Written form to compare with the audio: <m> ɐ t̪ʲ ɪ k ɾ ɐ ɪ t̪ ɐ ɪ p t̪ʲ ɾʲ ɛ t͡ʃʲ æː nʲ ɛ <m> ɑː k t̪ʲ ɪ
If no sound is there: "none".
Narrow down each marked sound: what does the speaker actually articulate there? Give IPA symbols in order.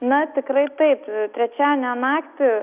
n, n

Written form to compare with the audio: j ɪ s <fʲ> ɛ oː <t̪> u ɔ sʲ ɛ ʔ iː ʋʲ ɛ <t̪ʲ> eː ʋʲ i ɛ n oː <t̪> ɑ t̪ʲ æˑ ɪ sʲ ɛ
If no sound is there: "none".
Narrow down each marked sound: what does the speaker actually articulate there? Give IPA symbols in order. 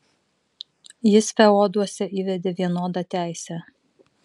fʲ, d̪, d̪ʲ, d̪

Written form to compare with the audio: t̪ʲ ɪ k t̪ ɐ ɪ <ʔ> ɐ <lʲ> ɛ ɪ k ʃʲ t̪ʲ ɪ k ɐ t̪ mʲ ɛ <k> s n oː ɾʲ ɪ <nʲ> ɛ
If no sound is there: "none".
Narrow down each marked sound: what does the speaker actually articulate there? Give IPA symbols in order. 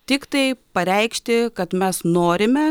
p, ɾʲ, none, mʲ

